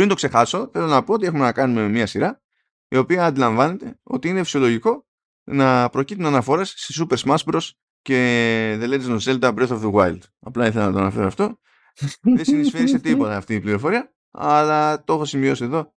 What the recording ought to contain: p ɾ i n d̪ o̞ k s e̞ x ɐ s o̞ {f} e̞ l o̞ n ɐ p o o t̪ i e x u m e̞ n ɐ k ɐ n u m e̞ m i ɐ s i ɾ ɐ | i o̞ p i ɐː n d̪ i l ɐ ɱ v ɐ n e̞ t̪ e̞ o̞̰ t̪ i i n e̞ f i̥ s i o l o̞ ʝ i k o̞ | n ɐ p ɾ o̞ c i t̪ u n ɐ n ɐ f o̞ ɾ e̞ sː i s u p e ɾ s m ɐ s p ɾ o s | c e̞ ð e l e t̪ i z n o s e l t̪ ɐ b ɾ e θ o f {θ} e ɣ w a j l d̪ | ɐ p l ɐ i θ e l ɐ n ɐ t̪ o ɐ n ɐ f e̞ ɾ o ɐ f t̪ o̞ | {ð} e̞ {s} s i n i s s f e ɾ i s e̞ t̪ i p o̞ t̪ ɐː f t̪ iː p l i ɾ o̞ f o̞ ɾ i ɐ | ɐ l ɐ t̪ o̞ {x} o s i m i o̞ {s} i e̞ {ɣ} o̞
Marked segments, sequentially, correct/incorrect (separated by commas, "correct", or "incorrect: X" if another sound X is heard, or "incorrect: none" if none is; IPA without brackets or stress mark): incorrect: θ, incorrect: ð, correct, correct, correct, correct, incorrect: ð